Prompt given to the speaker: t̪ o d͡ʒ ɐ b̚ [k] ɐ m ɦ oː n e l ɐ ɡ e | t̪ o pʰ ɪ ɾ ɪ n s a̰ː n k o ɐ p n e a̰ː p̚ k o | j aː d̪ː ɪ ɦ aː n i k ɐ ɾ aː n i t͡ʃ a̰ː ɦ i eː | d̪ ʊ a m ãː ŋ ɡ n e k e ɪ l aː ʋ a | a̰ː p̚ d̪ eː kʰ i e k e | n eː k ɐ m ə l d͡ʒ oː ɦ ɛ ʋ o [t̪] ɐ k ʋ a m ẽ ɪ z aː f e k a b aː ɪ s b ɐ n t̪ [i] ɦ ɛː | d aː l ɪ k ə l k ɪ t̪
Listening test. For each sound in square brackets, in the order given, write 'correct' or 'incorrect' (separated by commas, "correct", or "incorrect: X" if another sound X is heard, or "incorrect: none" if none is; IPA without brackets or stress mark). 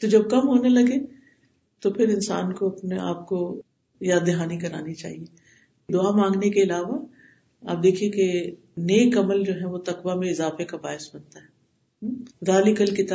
correct, correct, incorrect: a